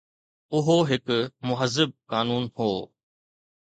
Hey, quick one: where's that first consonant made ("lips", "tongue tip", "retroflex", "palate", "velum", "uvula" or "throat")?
throat